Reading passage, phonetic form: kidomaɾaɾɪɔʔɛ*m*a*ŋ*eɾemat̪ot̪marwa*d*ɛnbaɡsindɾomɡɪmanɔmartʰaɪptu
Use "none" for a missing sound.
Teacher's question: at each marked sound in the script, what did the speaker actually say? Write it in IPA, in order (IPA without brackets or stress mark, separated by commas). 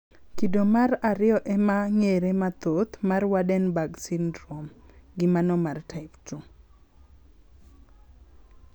m, ŋ, d